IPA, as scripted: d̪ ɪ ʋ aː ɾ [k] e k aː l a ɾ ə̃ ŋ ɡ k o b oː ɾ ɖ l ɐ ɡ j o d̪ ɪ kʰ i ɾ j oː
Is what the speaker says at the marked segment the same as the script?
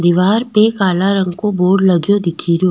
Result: no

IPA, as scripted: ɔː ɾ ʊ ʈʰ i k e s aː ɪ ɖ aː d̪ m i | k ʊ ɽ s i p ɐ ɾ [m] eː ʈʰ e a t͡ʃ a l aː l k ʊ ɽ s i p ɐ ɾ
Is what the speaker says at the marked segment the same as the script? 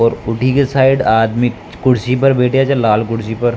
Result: no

